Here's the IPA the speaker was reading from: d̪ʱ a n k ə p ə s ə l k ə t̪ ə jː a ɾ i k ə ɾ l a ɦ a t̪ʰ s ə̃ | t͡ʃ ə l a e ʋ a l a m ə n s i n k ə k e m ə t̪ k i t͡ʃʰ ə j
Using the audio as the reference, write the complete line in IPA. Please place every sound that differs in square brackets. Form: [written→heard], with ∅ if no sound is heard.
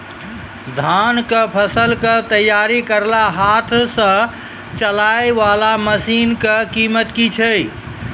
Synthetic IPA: d̪ʱ a n k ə [p→pʰ] ə s ə l k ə t̪ ə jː a ɾ i k ə ɾ l a ɦ a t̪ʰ s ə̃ | t͡ʃ ə l a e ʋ a l a m ə [n→∅] s i n k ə k [e→i] m ə t̪ k i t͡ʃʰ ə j

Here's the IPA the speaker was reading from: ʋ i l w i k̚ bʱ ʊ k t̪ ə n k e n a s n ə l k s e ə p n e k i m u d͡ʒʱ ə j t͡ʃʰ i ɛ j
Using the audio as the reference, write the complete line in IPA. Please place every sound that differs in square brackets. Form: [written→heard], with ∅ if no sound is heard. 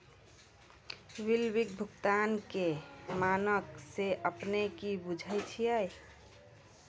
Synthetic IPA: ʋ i l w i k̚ bʱ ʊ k t̪ [ə→a] n k e [n→m] a [s→∅] n ə [l→∅] k s e ə p n e k i [m→b] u d͡ʒʱ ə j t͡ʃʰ i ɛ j

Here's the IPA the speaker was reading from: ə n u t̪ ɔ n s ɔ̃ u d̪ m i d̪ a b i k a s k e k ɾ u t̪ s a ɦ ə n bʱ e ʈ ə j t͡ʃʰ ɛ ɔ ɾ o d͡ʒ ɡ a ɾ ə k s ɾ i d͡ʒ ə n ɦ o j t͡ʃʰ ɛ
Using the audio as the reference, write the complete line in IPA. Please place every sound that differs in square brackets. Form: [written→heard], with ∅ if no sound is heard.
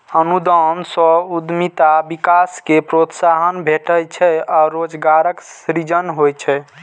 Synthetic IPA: ə n u [t̪→d̪] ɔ n s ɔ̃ u d̪ m i [d̪→t̪] a b i k a s k e [k→p] ɾ [u→o] t̪ s a ɦ ə n bʱ e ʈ ə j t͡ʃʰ ɛ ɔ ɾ o d͡ʒ ɡ a ɾ ə k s ɾ i d͡ʒ ə n ɦ o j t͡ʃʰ ɛ

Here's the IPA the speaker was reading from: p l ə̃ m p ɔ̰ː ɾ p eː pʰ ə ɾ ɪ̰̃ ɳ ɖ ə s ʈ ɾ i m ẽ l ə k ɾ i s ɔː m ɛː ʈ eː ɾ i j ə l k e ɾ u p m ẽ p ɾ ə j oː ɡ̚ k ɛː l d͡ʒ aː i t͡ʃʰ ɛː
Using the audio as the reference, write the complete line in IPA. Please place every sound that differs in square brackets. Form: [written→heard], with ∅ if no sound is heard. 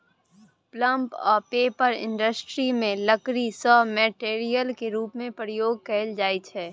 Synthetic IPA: p l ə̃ m p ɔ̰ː ɾ p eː [pʰ→p] ə ɾ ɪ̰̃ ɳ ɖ ə s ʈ ɾ i m ẽ l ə k ɾ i s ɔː m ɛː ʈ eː ɾ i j ə l k e ɾ [u→uː] p m ẽ p ɾ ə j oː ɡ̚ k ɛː l d͡ʒ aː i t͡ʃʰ ɛː

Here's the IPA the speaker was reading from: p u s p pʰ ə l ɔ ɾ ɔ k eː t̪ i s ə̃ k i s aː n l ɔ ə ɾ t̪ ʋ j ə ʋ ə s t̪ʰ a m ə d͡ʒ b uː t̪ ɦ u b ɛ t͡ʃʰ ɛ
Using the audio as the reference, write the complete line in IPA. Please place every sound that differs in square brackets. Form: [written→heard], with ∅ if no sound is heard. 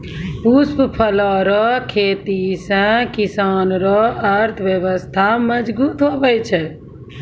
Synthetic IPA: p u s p pʰ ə l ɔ ɾ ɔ [k→kʰ] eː t̪ i s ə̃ k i s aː n [l→ɾ] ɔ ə ɾ [t̪→t̪ʰ] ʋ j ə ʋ ə s t̪ʰ a m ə d͡ʒ b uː t̪ ɦ [u→o] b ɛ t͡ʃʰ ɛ

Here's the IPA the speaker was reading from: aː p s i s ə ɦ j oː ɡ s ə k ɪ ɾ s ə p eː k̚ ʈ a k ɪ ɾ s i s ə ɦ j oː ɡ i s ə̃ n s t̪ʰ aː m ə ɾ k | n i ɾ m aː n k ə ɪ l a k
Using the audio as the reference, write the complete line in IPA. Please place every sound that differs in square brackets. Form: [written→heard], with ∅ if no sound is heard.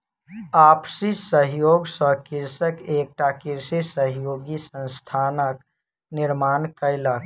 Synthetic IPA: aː p s i s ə ɦ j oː ɡ s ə k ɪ ɾ s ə [p→k] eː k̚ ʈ a k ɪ ɾ s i s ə ɦ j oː ɡ i s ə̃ n s t̪ʰ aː [m→n] ə [ɾ→∅] k | n [i→ɪ] ɾ m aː n k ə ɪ l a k

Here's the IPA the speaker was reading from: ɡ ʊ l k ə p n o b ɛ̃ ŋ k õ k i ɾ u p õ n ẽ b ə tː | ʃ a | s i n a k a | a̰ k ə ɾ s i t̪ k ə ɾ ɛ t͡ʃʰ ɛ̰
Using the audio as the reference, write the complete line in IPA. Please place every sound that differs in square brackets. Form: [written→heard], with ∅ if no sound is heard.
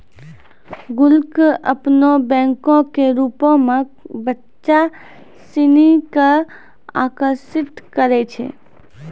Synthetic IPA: ɡ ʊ l k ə p n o b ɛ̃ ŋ k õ k [i→e] ɾ u p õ [n→m] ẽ b ə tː | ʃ a | s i n [a→i] k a | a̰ k ə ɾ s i t̪ k ə ɾ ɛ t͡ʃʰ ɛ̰

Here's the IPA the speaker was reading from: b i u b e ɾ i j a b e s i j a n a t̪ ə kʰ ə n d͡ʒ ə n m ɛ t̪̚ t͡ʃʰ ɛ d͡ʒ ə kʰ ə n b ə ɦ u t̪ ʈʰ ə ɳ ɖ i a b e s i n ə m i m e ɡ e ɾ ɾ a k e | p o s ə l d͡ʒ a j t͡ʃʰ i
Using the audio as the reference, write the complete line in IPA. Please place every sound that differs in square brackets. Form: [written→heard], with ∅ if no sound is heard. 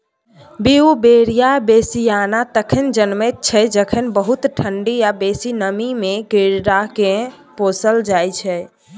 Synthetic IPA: b i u b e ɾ i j a b e s i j a n a t̪ ə kʰ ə n d͡ʒ ə n m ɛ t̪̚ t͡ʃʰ ɛ d͡ʒ ə kʰ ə n b ə ɦ u t̪ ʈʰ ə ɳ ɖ i a b e s i n ə m i m e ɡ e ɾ ɾ a k e | p o s ə l d͡ʒ a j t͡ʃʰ [i→ɛ]

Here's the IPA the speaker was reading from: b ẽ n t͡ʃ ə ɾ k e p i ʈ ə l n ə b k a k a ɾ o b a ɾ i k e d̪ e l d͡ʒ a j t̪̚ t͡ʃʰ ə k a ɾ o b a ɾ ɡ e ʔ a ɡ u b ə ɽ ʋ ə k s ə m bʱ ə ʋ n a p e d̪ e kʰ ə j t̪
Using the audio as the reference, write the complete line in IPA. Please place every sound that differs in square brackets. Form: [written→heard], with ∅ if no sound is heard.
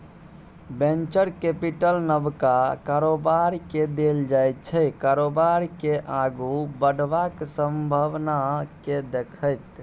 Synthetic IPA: b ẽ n t͡ʃ ə ɾ k e p i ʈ ə l n ə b k a k a ɾ o b a ɾ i k e d̪ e l d͡ʒ a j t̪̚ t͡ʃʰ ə k a ɾ o b a ɾ [ɡ→k] e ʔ a ɡ u b ə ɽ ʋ [ə→a] k s ə m bʱ ə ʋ n a [p→k] e d̪ e kʰ ə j t̪

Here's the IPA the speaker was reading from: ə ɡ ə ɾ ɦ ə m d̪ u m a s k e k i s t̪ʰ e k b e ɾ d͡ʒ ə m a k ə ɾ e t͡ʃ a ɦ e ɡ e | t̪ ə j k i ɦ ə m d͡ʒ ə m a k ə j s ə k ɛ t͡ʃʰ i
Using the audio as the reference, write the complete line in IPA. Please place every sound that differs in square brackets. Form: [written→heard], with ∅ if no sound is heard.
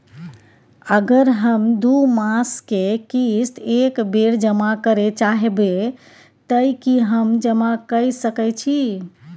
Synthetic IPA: ə ɡ ə ɾ ɦ ə m d̪ u m a s k e k i s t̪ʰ e k b e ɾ d͡ʒ ə m a k ə ɾ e t͡ʃ a ɦ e [ɡ→b] e | t̪ ə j k i ɦ ə m d͡ʒ ə m a k ə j s ə k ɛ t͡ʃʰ i

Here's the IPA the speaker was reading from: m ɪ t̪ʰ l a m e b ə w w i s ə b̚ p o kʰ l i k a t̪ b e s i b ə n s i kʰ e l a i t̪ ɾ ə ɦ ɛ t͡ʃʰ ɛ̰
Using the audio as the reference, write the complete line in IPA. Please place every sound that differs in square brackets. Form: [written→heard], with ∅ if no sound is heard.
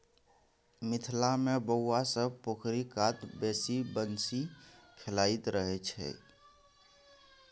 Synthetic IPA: m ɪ t̪ʰ l a m e b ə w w [i→a] s ə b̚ p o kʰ [l→ɾ] i k a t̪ b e s i b ə n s i kʰ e l a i t̪ ɾ ə ɦ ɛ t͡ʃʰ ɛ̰

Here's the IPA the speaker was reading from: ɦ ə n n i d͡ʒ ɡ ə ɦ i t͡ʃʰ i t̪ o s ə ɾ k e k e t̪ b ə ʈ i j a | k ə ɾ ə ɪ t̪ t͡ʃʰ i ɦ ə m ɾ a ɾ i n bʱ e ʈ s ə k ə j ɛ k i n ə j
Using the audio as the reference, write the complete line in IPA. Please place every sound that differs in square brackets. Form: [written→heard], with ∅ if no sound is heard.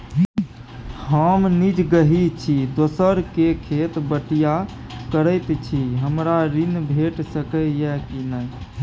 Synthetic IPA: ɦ ə [n→m] n i d͡ʒ ɡ ə ɦ i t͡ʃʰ i [t̪→d̪] o s ə ɾ k e [k→kʰ] e t̪ b ə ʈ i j a | k ə ɾ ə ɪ t̪ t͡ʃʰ i ɦ ə m ɾ a ɾ i n bʱ e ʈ s ə k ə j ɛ k i n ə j

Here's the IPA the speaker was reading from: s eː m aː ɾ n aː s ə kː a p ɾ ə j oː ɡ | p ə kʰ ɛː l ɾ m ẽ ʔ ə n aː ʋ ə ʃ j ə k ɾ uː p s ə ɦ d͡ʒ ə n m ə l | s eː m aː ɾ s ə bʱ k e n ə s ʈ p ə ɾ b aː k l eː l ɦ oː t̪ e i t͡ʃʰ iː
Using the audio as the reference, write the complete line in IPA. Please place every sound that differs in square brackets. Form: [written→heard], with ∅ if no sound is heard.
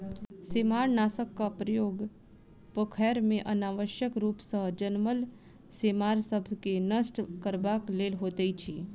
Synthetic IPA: s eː m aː ɾ n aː s ə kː a p ɾ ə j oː ɡ | p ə kʰ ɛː [l→∅] ɾ m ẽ ʔ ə n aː ʋ ə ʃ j ə k ɾ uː p s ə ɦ d͡ʒ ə n m ə l | s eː m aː ɾ s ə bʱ k e n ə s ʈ [p→k] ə ɾ b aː k l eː l ɦ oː t̪ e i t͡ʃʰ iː

